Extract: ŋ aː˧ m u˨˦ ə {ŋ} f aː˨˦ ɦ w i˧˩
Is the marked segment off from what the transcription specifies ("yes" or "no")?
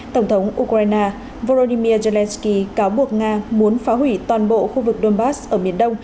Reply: yes